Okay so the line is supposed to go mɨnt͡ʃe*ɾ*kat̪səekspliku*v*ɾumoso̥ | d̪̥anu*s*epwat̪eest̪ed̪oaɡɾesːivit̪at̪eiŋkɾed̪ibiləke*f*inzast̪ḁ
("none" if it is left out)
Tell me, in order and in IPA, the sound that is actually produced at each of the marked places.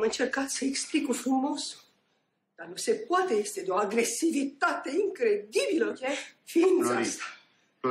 r, f, s, f

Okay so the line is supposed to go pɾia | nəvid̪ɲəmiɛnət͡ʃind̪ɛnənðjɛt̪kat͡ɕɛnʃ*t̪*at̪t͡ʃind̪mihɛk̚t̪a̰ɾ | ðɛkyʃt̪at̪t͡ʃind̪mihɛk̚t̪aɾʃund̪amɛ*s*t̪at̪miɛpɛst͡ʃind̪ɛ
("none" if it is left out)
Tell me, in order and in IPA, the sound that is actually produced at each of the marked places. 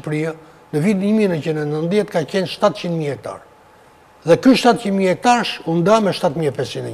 t̪, ʃ

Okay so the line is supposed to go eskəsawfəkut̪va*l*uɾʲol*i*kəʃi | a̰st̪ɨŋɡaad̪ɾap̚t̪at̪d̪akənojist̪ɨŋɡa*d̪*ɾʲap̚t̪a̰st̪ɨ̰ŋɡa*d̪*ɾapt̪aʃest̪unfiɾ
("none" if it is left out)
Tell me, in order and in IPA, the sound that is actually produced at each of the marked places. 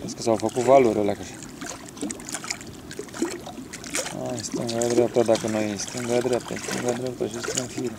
l, a, d̪, d̪

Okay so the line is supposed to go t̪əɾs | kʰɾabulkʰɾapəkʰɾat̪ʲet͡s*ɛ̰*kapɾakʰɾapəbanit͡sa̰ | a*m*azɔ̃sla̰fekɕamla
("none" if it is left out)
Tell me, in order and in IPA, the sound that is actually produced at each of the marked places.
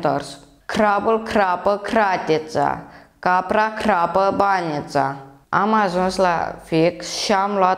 a̰, m

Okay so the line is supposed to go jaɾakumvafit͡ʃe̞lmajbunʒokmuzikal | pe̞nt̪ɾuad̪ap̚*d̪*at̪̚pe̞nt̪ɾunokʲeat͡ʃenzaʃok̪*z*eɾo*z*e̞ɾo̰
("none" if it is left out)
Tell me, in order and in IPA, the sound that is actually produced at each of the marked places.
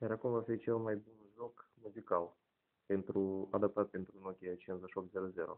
t̪, z, z

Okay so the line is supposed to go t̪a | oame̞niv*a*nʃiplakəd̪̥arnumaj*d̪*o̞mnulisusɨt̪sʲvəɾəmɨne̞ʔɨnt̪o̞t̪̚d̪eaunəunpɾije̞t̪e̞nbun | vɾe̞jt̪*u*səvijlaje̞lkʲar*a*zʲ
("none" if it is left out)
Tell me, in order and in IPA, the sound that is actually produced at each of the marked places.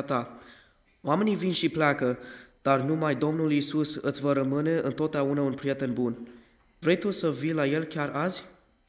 i, d̪, u, a

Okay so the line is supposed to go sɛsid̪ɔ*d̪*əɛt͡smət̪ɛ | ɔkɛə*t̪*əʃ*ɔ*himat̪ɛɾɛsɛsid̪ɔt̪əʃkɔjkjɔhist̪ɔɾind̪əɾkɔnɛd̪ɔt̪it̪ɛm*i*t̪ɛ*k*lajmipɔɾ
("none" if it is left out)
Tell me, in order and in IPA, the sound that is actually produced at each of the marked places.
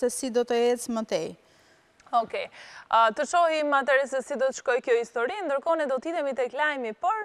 t̪, t̪, ɔ, i, k

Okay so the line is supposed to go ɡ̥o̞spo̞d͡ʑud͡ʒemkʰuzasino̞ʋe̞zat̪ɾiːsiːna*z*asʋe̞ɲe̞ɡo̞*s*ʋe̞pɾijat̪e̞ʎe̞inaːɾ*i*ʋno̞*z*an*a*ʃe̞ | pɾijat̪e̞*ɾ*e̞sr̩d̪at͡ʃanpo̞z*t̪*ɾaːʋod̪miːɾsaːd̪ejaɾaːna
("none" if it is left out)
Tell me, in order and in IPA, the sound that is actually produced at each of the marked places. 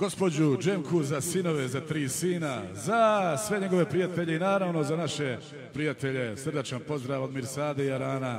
z, none, a, z, a, ʎ, d̪

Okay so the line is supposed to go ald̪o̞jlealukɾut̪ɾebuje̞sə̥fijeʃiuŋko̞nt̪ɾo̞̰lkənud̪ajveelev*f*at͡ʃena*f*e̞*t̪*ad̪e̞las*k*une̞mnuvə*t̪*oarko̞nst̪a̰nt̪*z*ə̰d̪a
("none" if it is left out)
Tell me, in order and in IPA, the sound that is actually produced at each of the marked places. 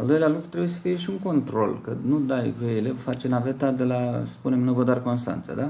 f, v, t̪, p, d̪, s

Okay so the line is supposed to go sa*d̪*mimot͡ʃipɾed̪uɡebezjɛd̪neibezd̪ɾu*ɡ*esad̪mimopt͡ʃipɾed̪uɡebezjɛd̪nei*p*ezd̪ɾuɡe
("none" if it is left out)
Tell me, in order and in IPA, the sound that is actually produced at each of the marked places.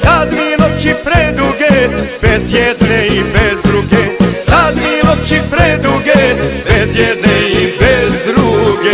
d̪, ɡ, b

